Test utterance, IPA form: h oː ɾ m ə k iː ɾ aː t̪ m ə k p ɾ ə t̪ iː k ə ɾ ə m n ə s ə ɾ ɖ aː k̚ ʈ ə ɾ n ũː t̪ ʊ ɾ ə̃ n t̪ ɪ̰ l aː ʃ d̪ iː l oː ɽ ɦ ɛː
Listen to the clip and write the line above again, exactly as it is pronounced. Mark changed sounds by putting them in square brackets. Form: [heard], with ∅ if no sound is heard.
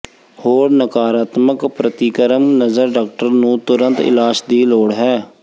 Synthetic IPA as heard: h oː ɾ [n] ə k [aː] ɾ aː t̪ m ə k p ɾ ə t̪ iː k ə ɾ ə m n ə [z] ə ɾ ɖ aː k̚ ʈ ə ɾ n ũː t̪ ʊ ɾ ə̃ n t̪ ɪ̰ l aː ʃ d̪ iː l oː ɽ ɦ ɛː